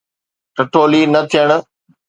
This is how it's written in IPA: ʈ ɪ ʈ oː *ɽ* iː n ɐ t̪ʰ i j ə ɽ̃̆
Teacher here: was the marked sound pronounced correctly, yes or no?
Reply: no